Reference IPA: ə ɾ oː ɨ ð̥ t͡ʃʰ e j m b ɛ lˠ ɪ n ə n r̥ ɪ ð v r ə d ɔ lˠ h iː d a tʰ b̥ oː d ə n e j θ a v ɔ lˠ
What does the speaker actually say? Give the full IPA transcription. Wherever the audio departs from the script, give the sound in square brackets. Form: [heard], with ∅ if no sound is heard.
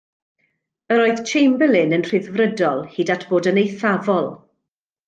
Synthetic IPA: ə ɾ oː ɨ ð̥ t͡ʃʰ e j m b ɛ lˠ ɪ n ə n r̥ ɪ ð v r ə d ɔ lˠ h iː d a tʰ b̥ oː d ə n e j θ a v ɔ lˠ